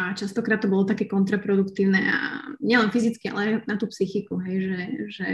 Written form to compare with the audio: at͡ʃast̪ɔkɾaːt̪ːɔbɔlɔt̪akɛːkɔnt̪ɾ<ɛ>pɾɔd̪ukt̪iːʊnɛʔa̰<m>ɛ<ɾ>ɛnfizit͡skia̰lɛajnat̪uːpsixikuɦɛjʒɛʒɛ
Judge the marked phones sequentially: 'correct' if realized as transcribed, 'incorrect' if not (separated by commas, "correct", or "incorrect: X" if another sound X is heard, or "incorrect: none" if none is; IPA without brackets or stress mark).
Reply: incorrect: a, incorrect: ɲ, incorrect: l